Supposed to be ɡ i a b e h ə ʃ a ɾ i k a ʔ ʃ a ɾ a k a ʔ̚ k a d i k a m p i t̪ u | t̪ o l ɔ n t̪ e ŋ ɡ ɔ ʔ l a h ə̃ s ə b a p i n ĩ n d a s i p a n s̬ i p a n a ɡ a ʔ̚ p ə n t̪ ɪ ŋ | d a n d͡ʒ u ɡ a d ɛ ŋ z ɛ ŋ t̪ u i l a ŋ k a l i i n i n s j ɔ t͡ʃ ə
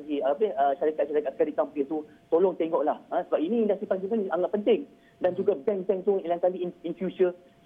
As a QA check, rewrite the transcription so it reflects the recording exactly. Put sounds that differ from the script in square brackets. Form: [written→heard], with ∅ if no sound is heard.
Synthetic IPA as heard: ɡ i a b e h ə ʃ a ɾ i k a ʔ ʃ a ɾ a k a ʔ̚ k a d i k a m p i t̪ u | t̪ o l ɔ [n→ŋ] t̪ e ŋ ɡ ɔ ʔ l a h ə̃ s ə b a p i n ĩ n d a s i p a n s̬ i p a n a [ɡ→ŋ] a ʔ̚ p ə n t̪ ɪ ŋ | d a n d͡ʒ u ɡ a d ɛ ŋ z ɛ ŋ t̪ u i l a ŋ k a l i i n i n [s→f] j [ɔ→u] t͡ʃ ə